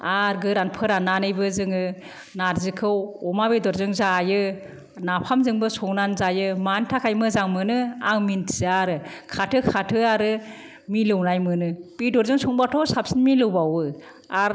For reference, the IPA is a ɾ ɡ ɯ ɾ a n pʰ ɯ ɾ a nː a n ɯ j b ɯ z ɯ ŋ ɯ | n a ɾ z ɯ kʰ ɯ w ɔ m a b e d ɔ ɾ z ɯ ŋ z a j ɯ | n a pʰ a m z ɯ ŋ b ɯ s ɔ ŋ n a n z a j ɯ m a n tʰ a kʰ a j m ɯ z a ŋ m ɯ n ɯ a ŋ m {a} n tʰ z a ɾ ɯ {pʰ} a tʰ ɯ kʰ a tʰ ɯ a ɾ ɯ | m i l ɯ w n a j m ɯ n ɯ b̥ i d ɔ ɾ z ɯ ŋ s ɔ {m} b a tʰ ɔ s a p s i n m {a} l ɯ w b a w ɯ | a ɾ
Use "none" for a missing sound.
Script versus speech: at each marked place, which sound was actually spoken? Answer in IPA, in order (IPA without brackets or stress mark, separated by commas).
i, kʰ, ŋ, i